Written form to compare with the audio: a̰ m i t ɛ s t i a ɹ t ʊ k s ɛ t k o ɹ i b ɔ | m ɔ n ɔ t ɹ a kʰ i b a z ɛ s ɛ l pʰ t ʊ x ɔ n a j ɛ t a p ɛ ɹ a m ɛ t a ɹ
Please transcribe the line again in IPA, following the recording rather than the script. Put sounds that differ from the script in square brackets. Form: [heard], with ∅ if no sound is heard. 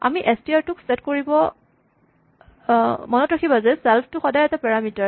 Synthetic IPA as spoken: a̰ m i [ʔ] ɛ s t i a ɹ t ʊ k s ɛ t k o ɹ i b ɔ | m ɔ n ɔ t ɹ a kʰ i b a z ɛ s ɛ l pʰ t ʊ x ɔ [d] a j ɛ t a p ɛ ɹ a m [i] t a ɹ

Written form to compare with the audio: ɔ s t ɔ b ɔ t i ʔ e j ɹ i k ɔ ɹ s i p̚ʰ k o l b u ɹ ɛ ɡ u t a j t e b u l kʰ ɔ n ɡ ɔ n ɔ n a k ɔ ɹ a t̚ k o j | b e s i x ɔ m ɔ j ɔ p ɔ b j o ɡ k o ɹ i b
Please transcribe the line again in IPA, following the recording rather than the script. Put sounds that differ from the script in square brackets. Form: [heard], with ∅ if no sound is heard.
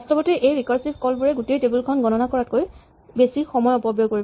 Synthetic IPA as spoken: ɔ s t ɔ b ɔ t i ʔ e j ɹ i k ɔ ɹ s i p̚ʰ k [ɔ] l b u ɹ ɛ ɡ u t [e] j t e b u l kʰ ɔ n ɡ ɔ n ɔ n a k ɔ ɹ a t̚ k o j | b e s i x ɔ m ɔ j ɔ p ɔ b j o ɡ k o ɹ i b

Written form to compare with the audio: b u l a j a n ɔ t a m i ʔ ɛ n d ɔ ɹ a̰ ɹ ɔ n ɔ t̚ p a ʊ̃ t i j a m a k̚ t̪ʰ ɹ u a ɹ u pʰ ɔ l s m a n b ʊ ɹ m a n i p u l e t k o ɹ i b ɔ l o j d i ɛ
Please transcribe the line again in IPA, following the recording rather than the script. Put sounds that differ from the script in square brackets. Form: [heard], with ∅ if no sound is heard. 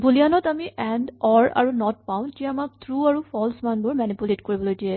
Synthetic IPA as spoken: b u l [i] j a n ɔ t a m i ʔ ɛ n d ɔ ɹ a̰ ɹ [u] n ɔ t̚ p a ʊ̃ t i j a m a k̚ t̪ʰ ɹ u a ɹ u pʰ ɔ l s m a n b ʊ ɹ m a n i p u l e t k o ɹ i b ɔ l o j d i ɛ

